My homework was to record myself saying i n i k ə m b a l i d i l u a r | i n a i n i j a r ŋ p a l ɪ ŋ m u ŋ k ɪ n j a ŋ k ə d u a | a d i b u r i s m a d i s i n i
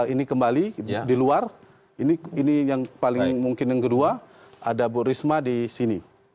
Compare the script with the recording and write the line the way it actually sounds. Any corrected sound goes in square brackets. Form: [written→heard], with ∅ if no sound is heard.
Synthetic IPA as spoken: i n i k ə m b a l i d i l u a r | i n [a→i] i n i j a [r→∅] ŋ p a l ɪ ŋ m u ŋ k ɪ n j a ŋ k ə d u a | a d [i→a] b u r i s m a d i s i n i